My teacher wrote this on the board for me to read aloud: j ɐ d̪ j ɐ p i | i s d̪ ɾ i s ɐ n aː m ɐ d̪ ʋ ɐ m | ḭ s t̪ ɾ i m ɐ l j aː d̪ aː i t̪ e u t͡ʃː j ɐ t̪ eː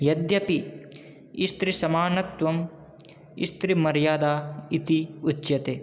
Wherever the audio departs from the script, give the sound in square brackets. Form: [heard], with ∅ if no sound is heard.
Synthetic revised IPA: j ɐ d̪ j ɐ p i | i s [t̪] ɾ i s ɐ [m] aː [n] ɐ [t̪] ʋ ɐ m | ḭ s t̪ ɾ i m ɐ [ɾ] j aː d̪ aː i t̪ [i] u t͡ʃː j ɐ t̪ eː